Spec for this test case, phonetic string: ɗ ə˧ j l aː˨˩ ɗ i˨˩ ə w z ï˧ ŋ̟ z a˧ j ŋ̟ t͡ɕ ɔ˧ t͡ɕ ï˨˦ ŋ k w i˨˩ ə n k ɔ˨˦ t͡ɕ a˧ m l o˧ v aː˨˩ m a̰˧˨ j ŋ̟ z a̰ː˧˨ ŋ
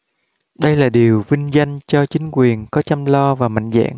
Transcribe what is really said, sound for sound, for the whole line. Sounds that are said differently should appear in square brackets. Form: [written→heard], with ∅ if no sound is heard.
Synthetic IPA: ɗ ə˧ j l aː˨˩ ɗ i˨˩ ə w [z→v] ï˧ ŋ̟ z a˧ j ŋ̟ t͡ɕ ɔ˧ t͡ɕ ï˨˦ ŋ k w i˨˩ ə n k ɔ˨˦ t͡ɕ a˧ m l [o˧→ɔ˧] v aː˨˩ m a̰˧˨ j ŋ̟ z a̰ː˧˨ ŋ

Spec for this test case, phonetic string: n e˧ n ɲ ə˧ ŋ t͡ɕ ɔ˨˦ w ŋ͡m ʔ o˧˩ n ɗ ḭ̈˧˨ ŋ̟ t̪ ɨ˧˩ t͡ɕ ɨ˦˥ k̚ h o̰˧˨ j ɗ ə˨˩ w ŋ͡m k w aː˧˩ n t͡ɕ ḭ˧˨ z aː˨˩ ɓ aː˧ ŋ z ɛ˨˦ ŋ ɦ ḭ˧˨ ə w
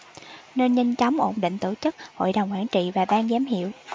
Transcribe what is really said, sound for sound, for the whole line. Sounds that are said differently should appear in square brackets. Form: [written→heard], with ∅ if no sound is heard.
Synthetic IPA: n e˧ n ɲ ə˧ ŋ t͡ɕ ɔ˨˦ w ŋ͡m ʔ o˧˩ n ɗ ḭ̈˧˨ ŋ̟ t̪ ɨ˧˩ t͡ɕ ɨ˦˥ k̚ h o̰˧˨ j ɗ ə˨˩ w ŋ͡m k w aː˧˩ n t͡ɕ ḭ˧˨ [z→v] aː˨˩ ɓ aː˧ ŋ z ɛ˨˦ [ŋ→m] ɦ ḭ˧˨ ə w

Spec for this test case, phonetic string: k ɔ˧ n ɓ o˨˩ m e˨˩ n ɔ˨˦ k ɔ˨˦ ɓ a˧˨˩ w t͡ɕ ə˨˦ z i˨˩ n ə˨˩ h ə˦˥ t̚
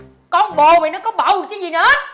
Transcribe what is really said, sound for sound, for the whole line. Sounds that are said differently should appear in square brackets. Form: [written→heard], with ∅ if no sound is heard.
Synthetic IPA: k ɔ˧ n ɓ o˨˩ m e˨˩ n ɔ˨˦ k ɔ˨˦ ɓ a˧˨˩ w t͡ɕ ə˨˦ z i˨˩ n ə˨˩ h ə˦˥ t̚

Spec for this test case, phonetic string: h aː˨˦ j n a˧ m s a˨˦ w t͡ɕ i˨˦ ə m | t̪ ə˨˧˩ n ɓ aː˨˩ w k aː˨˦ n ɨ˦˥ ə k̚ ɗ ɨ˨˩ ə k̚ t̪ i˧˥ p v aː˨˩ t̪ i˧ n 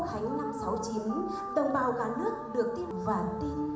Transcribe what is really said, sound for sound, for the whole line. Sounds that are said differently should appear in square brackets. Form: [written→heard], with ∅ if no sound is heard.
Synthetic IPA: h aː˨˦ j n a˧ m s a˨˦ w t͡ɕ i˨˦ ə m | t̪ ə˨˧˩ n ɓ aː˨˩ w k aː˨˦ n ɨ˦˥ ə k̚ ɗ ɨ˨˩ ə k̚ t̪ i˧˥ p v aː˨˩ t̪ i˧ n

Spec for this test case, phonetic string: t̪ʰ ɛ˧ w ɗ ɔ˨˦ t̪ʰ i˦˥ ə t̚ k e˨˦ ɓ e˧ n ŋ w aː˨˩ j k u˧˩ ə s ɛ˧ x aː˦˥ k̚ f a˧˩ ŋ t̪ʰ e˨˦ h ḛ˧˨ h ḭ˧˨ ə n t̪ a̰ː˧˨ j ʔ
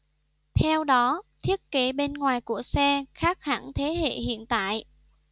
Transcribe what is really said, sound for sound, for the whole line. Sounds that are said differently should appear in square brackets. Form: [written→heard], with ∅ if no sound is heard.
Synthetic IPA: t̪ʰ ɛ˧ w ɗ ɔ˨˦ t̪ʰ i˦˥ ə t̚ k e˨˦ ɓ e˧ n ŋ w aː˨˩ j k u˧˩ ə s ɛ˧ x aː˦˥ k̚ [f→h] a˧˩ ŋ t̪ʰ e˨˦ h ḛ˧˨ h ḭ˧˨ ə n t̪ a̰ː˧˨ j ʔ

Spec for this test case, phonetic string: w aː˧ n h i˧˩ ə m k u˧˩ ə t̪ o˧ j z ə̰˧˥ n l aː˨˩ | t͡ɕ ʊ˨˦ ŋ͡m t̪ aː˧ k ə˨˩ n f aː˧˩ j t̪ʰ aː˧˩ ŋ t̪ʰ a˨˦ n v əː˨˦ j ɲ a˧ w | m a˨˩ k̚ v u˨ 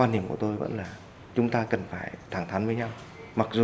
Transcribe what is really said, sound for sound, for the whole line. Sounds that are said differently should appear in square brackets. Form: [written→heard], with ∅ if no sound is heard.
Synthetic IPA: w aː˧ n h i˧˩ ə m k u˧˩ ə t̪ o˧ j [z→v] ə̰˧˥ n l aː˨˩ | t͡ɕ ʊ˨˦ ŋ͡m t̪ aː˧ k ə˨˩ n f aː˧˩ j t̪ʰ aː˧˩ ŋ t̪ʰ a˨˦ n v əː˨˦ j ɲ a˧ w | m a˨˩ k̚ [v→z] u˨

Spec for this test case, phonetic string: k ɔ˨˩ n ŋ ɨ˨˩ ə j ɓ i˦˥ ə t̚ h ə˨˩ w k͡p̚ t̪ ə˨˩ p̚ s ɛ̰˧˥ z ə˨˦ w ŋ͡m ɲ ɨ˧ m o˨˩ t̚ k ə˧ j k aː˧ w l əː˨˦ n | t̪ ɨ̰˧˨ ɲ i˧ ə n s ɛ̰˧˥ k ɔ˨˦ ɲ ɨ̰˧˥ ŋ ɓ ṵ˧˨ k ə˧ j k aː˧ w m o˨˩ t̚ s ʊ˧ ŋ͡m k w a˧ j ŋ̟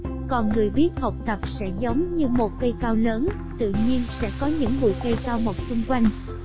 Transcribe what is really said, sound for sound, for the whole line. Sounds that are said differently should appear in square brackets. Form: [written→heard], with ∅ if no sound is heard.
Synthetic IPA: k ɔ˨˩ n ŋ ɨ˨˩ ə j ɓ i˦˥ ə t̚ h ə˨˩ w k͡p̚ t̪ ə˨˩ p̚ s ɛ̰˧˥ z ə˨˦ w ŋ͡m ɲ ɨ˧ m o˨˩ t̚ k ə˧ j k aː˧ w l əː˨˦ n | t̪ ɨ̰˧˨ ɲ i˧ ə n s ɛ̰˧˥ k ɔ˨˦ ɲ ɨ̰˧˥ ŋ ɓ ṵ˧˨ k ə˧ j k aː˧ w m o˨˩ t̚ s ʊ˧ ŋ͡m k w a˧ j ŋ̟

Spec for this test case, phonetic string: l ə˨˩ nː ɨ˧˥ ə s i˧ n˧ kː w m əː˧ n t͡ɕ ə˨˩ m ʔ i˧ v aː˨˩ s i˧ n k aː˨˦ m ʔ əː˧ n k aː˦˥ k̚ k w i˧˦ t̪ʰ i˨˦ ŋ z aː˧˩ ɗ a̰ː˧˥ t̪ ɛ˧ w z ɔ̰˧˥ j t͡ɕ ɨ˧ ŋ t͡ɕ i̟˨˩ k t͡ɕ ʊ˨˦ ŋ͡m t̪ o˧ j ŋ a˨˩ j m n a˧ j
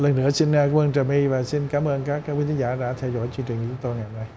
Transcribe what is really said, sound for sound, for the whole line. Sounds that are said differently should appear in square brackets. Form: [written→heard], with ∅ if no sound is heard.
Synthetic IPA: l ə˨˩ nː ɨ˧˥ ə s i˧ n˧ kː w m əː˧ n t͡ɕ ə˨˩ m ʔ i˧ v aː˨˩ s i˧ n k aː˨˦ m ʔ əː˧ n k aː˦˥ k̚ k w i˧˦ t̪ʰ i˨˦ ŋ z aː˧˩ ɗ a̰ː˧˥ [t̪→t̪ʰ] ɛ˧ w z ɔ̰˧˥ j t͡ɕ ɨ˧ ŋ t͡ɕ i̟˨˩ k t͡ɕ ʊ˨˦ ŋ͡m t̪ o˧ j ŋ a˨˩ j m n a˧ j

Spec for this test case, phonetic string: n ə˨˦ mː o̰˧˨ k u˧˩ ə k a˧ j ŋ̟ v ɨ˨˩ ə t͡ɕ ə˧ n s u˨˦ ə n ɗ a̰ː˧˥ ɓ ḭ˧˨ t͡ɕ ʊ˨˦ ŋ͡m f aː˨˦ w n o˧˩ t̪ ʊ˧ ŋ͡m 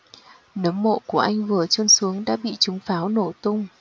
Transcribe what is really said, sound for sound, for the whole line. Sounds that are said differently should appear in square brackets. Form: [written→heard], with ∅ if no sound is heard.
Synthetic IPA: n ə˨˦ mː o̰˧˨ k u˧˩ ə [k→ʔ] a˧ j ŋ̟ v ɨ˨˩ ə t͡ɕ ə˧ n s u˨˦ ə [n→ŋ] ɗ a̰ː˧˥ ɓ ḭ˧˨ t͡ɕ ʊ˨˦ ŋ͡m f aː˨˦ w n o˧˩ t̪ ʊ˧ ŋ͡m

